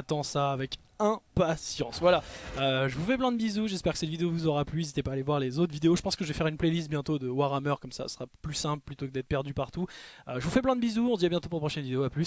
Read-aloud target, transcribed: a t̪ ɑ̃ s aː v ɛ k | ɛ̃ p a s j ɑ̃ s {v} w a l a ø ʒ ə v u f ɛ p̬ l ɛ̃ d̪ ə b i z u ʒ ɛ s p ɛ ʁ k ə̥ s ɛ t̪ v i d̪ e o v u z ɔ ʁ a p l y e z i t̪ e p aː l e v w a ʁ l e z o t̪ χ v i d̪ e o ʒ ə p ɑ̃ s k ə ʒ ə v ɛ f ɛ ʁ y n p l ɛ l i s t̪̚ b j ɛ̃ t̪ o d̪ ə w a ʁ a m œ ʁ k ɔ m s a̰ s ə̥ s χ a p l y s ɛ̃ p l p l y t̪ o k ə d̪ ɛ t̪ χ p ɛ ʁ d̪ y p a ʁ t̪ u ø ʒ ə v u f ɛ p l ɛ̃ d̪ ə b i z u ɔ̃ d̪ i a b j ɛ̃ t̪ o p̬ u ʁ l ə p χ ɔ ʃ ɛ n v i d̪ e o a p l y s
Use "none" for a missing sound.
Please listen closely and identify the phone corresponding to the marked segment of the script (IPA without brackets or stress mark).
v